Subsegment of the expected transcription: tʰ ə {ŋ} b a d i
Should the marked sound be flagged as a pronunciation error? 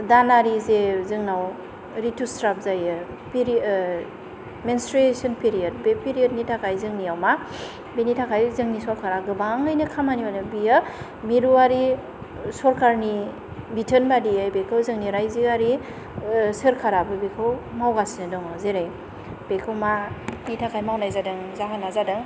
yes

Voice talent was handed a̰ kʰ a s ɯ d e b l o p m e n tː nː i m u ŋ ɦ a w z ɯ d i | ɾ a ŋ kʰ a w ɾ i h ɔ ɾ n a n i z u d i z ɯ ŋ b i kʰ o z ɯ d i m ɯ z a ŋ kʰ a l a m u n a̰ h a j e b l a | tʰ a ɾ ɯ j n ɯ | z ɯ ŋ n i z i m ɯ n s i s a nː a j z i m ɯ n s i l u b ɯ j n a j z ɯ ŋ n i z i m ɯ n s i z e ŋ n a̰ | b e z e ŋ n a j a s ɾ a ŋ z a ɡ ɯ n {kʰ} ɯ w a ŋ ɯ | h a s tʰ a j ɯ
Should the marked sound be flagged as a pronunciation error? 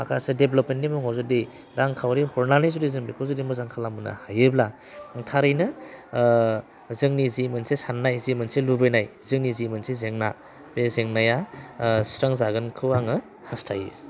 no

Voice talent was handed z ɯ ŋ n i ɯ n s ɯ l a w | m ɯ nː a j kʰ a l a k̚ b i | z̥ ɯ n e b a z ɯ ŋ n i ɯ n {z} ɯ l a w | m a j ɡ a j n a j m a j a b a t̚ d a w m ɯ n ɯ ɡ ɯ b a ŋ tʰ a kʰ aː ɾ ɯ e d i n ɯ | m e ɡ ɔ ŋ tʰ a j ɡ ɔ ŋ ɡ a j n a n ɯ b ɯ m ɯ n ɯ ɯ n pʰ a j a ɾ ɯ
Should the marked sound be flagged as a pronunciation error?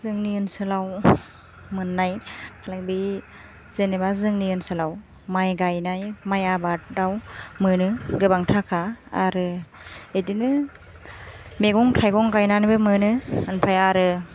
yes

